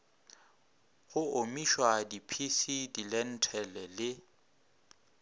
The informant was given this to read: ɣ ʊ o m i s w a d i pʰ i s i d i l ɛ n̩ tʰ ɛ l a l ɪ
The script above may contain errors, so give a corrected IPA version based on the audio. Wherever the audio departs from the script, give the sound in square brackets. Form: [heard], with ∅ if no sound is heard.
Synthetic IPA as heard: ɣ ʊ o m i [ʃ] w a d i pʰ i s i d i l ɛ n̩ tʰ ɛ l [ɛ] l ɪ